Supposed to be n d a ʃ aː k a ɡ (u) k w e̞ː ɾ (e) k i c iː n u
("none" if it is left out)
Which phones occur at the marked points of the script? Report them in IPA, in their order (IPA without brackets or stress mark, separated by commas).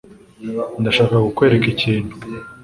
u, e